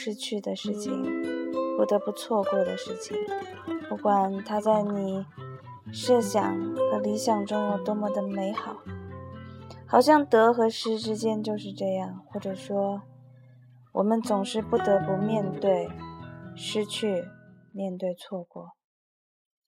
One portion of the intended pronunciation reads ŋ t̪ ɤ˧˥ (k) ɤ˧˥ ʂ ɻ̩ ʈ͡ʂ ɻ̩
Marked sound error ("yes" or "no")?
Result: yes